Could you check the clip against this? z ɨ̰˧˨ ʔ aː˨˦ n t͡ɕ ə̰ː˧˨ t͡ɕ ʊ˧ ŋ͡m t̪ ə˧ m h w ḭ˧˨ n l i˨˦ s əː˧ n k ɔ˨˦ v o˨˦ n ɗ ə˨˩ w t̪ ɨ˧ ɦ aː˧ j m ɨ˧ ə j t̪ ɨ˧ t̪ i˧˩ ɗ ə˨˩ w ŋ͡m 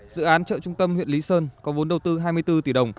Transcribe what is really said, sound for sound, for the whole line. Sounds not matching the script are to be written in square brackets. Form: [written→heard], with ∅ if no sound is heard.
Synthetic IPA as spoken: z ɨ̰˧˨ ʔ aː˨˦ n t͡ɕ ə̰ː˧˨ t͡ɕ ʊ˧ ŋ͡m t̪ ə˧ m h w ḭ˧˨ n l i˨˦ s əː˧ n k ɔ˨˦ v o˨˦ n ɗ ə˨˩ w t̪ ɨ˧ ɦ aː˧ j m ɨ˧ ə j t̪ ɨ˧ t̪ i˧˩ ɗ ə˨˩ w ŋ͡m